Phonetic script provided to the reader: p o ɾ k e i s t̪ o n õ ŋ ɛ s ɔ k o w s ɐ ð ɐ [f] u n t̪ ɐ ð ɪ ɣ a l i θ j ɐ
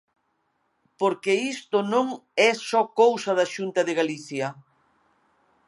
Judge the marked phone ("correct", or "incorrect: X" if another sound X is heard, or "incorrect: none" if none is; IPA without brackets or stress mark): incorrect: ʃ